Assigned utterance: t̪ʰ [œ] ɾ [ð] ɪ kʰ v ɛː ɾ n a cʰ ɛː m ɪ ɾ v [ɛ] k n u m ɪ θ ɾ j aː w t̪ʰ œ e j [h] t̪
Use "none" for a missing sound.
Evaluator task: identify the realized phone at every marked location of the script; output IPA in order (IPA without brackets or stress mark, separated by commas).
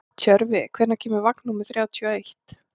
œ, v, a, h